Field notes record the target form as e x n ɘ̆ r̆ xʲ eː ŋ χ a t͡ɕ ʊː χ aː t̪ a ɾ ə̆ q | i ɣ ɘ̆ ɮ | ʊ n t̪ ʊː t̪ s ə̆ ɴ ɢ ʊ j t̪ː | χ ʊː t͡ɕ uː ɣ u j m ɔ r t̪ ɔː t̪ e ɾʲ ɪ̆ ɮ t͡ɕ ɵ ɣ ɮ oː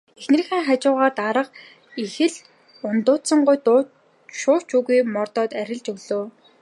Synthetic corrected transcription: e x n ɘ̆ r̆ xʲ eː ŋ χ a t͡ɕ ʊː ʁ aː t̪ a ɾ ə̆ q | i x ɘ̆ ɮ | ʊ n t̪ ʊː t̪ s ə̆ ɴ ɢ ʊ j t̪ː | ʃ ʊː t͡ɕ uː ɣ u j m ɔ r t̪ ɔː t̪ æ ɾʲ ɪ̆ ɮ t͡ɕ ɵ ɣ ɮ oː